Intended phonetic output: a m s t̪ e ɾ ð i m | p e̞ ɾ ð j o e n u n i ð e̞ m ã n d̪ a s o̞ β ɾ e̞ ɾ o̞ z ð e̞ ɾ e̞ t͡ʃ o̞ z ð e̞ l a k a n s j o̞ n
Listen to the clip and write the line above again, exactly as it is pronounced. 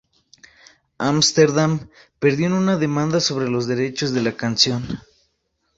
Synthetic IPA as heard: a m s t̪ e ɾ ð a m | p e̞ ɾ ð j o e n u n a ð e̞ m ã n d̪ a s o̞ β ɾ e̞ l o̞ z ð e̞ ɾ e̞ t͡ʃ o̞ z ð e̞ l a k a n s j o̞ n